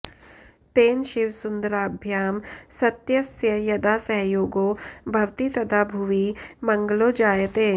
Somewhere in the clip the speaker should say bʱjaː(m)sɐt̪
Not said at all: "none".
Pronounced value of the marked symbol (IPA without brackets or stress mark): m